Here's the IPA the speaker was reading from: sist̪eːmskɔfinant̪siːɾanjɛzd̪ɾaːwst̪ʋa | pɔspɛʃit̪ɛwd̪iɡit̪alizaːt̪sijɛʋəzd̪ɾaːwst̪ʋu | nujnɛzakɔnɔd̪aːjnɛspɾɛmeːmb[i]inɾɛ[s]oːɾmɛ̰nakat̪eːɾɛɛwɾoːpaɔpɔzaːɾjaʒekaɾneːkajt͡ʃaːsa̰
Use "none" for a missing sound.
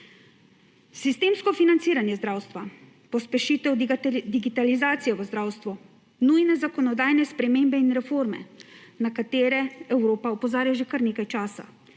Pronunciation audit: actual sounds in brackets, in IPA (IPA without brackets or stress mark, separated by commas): ɛ, f